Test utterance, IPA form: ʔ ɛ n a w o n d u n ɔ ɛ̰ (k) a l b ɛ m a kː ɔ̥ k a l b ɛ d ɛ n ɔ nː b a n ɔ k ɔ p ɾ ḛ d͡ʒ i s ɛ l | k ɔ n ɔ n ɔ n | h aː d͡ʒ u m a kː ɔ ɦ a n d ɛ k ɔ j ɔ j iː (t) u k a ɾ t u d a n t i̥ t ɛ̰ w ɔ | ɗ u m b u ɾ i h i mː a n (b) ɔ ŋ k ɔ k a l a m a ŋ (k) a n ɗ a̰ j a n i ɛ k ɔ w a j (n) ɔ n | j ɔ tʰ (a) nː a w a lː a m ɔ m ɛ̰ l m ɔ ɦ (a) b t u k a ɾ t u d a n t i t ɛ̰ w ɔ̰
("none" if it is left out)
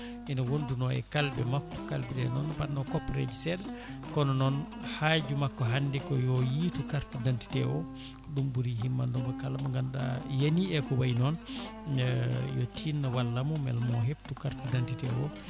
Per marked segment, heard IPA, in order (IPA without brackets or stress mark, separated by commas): k, t, d, ɡ, n, i, e